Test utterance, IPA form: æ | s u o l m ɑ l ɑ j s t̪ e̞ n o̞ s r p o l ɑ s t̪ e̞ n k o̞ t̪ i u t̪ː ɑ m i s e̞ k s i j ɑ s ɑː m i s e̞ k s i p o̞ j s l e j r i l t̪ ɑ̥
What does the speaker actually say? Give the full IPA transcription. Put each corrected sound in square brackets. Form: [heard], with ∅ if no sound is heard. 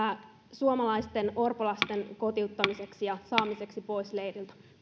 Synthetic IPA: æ | s u o [∅] m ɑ l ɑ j s t̪ e̞ n o̞ [∅] r p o l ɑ s t̪ e̞ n k o̞ t̪ i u t̪ː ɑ m i s e̞ k s i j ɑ s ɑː m i s e̞ k s i p o̞ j s l e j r i l t̪ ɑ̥